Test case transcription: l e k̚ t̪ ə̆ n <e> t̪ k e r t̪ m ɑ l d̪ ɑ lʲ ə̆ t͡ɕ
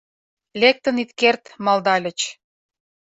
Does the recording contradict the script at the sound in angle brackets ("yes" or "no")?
yes